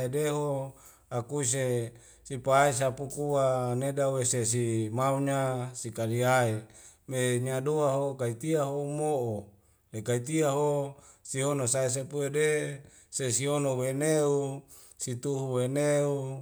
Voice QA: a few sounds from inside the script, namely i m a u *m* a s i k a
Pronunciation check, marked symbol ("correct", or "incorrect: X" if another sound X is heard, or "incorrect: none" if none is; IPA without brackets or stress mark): incorrect: ɲ